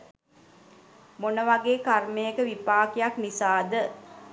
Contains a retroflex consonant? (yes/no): no